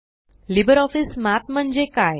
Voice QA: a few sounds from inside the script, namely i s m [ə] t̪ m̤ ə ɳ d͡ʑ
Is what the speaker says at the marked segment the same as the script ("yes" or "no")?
no